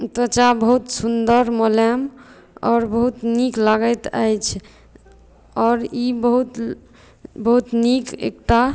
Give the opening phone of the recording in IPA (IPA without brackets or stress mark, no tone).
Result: t̪